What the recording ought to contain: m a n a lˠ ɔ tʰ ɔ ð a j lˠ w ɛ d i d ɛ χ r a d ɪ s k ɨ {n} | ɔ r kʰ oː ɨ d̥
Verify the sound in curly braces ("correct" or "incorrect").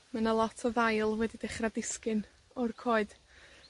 correct